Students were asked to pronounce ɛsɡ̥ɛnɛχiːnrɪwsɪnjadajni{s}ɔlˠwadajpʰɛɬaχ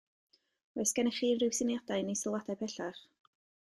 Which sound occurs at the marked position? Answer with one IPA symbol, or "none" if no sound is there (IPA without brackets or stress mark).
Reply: s